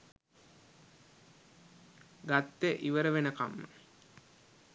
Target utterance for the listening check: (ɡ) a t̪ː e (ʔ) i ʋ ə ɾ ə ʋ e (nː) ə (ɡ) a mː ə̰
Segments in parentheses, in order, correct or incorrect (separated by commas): correct, correct, incorrect, incorrect